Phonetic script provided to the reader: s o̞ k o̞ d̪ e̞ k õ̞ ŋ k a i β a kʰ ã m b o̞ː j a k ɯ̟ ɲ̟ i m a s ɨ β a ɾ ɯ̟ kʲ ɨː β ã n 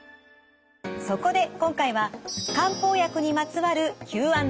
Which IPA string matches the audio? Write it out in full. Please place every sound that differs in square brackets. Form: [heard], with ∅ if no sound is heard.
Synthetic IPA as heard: s o̞ k o̞ d̪ e̞ k õ̞ ŋ k a i β a [k] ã m [p] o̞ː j a k ɯ̟ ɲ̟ i m a [t͡s] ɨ β a ɾ ɯ̟ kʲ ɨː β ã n